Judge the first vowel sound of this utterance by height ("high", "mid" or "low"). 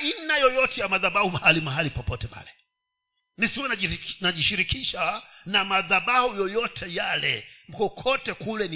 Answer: high